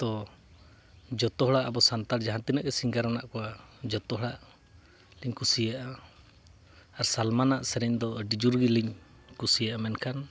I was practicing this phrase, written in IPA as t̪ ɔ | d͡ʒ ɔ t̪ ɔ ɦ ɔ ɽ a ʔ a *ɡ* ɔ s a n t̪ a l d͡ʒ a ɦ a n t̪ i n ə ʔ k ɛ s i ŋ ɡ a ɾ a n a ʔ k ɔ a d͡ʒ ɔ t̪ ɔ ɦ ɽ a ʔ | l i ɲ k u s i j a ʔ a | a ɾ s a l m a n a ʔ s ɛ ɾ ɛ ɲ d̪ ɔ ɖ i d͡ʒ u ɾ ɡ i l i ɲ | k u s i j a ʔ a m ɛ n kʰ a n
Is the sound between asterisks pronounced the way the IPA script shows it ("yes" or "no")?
no